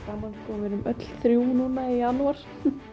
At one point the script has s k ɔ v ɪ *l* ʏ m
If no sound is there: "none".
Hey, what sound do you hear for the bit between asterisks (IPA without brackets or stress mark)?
ɾ